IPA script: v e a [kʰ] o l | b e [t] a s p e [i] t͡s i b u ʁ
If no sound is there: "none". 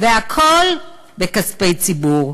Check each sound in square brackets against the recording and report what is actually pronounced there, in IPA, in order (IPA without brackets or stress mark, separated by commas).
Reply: kʰ, k, j